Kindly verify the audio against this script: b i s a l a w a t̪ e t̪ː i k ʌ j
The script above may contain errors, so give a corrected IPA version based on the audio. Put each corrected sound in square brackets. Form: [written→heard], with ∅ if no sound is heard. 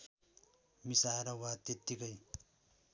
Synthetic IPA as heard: [b→m] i s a [l→ɾ] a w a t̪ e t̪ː i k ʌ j